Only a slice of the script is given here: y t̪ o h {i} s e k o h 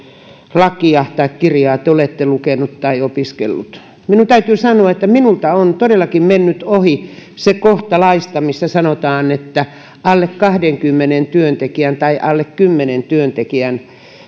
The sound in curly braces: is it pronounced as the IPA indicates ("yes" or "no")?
yes